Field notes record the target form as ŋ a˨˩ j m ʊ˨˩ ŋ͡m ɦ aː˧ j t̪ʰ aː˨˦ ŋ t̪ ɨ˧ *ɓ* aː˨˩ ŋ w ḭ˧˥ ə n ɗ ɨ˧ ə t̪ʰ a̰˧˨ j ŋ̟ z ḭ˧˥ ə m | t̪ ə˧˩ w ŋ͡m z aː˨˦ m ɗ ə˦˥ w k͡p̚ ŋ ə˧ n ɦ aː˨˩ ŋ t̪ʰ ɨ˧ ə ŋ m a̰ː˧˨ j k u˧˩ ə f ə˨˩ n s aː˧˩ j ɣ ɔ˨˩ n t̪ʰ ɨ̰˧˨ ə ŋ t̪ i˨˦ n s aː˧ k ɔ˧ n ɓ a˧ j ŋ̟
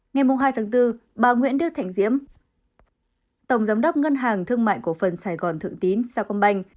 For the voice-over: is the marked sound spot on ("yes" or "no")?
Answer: yes